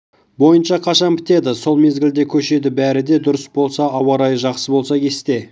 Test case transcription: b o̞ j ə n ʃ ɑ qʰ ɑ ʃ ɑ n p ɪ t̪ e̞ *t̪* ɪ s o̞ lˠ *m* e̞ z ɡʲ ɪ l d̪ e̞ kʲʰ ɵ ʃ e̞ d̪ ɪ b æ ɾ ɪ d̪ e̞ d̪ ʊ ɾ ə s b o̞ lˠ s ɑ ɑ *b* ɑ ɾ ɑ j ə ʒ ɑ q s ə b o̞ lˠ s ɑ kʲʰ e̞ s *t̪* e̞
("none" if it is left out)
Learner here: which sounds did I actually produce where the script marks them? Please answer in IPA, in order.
d̪, m, w, t̪

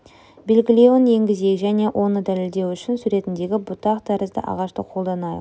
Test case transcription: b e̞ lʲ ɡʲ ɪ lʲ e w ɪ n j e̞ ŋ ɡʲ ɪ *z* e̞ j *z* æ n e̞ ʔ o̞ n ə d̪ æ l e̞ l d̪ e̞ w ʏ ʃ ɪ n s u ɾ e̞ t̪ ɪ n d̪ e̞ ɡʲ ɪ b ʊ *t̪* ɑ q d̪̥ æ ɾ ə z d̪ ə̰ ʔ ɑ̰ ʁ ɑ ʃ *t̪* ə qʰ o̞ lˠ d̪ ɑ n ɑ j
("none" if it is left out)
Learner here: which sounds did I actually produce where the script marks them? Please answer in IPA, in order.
z, ʒ, t̪, t̪

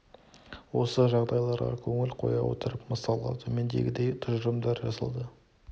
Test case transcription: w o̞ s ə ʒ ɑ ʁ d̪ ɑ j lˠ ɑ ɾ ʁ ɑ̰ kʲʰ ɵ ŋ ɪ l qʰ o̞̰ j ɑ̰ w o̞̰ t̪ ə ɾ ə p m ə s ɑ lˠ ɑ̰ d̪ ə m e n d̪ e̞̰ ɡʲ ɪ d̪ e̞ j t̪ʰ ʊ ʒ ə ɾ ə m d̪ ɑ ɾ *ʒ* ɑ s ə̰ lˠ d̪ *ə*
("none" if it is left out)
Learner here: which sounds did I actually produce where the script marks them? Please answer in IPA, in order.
ʒ, ə

